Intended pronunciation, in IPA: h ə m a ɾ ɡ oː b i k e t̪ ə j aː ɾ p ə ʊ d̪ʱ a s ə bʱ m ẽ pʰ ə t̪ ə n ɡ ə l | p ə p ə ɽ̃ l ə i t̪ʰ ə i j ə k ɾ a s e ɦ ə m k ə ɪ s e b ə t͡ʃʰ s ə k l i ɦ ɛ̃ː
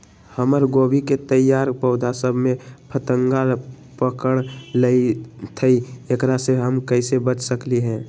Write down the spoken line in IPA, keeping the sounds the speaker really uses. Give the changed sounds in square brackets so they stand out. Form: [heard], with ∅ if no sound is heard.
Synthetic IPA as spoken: h ə m [ə] ɾ ɡ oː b i k e t̪ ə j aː ɾ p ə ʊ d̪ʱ a s ə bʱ m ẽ pʰ ə t̪ ə [ŋ] ɡ [a] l | p ə [k] ə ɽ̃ l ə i t̪ʰ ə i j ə k ɾ a s e ɦ ə m k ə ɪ s e b ə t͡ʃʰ s ə k l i ɦ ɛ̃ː